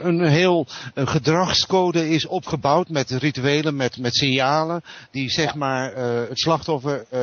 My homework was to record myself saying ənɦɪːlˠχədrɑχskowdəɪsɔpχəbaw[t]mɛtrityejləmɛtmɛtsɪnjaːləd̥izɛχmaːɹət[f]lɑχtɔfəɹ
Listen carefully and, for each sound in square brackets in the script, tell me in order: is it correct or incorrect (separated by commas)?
correct, incorrect